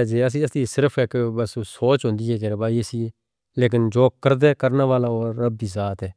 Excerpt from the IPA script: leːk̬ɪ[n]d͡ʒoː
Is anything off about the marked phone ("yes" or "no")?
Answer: no